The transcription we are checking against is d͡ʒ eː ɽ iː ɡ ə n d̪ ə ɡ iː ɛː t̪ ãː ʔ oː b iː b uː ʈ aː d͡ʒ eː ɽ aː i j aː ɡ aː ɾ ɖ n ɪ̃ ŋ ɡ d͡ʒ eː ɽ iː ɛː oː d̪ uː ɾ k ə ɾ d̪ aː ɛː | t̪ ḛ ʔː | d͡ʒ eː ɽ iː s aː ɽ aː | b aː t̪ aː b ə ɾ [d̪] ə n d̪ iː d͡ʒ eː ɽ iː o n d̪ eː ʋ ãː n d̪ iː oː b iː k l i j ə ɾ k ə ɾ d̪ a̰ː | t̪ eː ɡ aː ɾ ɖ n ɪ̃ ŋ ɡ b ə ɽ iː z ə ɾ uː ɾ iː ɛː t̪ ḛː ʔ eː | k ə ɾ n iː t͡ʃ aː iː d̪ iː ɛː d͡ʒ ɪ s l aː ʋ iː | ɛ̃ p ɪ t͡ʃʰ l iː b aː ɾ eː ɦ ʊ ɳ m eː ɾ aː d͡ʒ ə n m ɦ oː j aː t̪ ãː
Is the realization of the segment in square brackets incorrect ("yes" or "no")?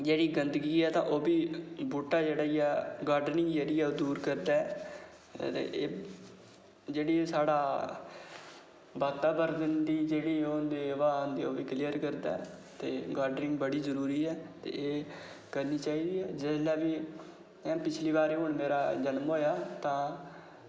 no